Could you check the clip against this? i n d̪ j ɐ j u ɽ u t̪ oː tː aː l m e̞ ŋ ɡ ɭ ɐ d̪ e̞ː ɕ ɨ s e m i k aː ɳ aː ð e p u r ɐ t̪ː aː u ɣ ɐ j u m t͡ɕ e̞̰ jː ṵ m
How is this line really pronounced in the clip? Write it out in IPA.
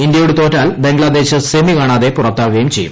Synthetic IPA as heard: i n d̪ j ɐ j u ɽ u t̪ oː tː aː l b e̞ ŋ ɡ ɭ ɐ d̪ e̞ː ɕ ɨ s e m i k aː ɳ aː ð e p u r ɐ t̪ː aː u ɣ ɐ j u m t͡ɕ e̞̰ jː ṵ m